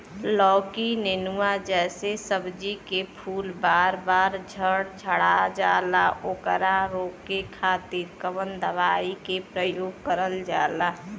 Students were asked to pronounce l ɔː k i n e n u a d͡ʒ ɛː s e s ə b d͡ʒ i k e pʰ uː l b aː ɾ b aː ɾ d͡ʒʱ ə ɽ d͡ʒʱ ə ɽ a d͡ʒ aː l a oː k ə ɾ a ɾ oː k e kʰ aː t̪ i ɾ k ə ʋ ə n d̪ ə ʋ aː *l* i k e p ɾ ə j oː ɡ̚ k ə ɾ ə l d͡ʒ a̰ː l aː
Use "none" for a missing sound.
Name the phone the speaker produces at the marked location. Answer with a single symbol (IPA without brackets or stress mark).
none